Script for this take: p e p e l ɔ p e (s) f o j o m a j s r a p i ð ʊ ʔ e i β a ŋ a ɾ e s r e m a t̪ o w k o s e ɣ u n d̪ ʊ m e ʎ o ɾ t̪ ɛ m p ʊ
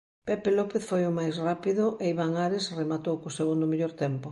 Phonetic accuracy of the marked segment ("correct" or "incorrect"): incorrect